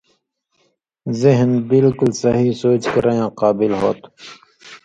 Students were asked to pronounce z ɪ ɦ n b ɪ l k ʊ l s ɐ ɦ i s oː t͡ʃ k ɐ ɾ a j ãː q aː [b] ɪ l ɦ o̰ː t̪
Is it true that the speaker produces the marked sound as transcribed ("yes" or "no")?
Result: yes